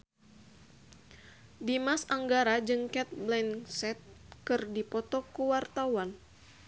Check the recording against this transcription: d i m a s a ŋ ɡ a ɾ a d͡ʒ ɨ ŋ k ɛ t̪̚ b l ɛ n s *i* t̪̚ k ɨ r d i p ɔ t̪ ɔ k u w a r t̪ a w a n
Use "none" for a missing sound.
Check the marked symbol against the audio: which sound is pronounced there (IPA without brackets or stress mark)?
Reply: ɛ